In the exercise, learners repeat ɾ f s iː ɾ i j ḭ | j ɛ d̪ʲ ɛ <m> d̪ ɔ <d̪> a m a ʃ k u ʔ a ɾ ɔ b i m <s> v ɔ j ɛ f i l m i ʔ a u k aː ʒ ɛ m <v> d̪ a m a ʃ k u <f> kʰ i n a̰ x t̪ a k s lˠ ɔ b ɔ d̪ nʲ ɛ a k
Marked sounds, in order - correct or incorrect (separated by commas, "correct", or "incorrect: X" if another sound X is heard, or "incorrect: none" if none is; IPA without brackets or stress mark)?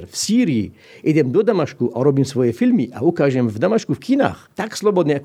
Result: correct, correct, correct, correct, correct